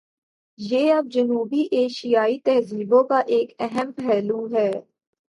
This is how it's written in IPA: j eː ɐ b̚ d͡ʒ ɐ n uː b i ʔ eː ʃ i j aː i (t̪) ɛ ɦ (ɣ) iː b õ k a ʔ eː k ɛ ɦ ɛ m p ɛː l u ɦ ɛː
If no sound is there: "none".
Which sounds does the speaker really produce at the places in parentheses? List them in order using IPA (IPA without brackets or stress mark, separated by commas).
t̪, z